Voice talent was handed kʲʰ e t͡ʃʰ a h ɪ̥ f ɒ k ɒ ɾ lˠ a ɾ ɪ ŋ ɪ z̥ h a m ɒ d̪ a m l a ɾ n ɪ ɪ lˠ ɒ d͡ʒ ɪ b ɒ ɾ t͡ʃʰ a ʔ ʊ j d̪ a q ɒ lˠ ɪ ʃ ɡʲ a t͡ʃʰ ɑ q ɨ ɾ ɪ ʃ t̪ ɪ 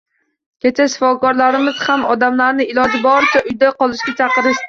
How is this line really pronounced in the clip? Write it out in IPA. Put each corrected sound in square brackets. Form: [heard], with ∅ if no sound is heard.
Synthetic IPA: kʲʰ e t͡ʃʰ a [ʃ] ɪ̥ f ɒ k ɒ ɾ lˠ a ɾ ɪ [m] ɪ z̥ h a m ɒ d̪ a m l a ɾ n ɪ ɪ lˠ ɒ d͡ʒ ɪ b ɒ ɾ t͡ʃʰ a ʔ ʊ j d̪ a q ɒ lˠ ɪ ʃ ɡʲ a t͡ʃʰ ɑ q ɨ ɾ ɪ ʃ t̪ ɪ